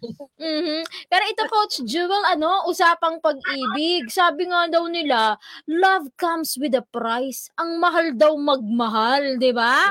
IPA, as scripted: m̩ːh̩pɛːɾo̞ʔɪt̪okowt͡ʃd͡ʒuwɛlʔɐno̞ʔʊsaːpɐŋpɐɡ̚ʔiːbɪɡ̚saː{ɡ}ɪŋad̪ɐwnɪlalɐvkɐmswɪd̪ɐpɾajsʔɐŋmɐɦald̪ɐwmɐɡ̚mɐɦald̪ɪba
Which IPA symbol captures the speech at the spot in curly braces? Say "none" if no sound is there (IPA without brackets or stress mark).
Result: b